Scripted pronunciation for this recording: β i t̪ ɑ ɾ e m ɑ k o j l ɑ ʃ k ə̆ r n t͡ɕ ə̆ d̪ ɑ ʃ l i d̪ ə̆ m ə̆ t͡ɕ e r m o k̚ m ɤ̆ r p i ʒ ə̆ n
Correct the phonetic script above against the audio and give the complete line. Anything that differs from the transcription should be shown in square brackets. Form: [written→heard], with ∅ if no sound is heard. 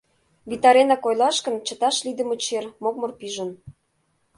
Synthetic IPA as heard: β i t̪ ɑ ɾ e [m→n] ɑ k o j l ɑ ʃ k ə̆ [r→∅] n t͡ɕ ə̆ [d̪→t̪] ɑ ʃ l i d̪ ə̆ m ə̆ t͡ɕ e r m o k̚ m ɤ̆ r p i ʒ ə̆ n